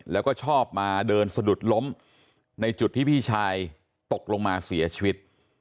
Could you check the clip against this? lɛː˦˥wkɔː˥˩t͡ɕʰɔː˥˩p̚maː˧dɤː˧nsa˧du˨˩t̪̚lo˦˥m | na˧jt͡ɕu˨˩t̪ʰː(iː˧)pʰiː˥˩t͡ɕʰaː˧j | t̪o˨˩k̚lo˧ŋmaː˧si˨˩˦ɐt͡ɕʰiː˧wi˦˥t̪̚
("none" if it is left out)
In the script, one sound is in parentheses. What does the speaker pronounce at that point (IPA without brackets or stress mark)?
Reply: iː˥˩